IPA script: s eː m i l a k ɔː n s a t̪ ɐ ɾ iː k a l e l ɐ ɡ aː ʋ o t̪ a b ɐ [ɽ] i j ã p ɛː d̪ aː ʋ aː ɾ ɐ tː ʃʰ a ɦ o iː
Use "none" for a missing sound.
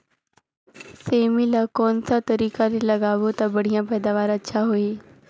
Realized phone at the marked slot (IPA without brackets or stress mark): ɽ